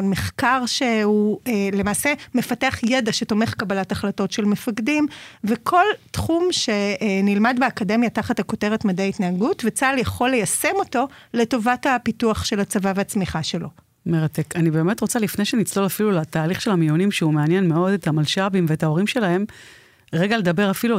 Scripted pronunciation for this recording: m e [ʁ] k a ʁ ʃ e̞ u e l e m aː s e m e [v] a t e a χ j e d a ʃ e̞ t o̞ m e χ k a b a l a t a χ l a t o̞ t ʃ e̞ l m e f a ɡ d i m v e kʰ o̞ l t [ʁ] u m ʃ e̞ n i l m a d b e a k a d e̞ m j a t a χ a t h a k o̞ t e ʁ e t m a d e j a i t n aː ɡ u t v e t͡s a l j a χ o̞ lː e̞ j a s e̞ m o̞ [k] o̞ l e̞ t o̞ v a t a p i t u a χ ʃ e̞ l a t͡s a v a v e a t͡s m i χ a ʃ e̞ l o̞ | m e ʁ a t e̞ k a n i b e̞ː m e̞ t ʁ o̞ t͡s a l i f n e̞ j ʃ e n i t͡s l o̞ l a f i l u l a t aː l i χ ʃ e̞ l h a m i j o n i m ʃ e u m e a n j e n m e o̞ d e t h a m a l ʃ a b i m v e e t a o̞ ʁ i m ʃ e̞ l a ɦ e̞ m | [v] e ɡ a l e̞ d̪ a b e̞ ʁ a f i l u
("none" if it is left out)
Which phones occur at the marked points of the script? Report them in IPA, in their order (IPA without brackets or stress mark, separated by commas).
χ, f, χ, t, ʁ